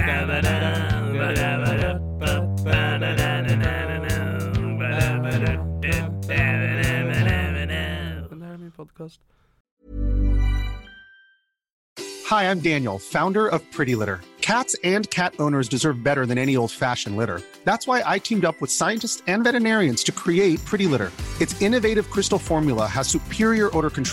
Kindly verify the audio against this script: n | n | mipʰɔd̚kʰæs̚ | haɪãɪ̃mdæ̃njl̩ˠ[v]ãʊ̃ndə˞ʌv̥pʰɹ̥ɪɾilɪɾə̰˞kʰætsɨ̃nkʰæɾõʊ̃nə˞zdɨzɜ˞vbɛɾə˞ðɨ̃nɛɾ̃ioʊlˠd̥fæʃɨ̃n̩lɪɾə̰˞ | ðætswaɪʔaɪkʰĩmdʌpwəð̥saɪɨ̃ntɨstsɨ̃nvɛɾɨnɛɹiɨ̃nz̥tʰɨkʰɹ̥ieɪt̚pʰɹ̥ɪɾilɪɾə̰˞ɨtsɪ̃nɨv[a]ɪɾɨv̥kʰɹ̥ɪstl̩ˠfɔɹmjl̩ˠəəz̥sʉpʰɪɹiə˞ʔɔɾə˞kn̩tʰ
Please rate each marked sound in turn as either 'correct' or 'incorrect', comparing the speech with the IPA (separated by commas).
incorrect, incorrect